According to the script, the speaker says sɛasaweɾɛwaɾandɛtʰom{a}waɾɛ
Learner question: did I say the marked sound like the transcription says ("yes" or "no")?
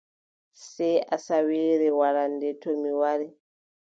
no